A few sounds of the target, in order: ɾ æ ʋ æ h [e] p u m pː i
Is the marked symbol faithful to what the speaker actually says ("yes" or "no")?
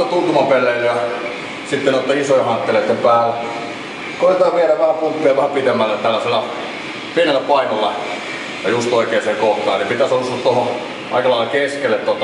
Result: no